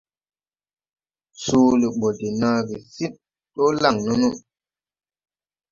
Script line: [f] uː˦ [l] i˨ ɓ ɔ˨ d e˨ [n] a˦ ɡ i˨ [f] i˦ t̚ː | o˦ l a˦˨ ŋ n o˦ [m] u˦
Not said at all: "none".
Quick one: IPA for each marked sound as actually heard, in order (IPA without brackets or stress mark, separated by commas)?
s, l, n, s, n